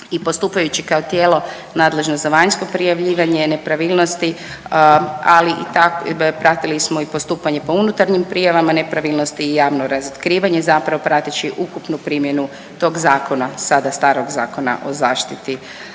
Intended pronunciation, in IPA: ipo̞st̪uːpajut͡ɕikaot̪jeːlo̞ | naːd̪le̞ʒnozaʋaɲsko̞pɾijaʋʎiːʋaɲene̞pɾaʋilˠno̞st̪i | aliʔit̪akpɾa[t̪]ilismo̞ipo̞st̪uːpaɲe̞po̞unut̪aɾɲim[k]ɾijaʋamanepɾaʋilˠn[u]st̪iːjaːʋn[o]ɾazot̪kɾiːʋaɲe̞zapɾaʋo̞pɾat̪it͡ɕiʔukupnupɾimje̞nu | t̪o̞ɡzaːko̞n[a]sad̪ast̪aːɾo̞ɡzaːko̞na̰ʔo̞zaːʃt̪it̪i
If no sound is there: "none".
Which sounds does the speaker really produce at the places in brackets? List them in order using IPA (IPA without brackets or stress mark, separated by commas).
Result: t̪, p, o, o, a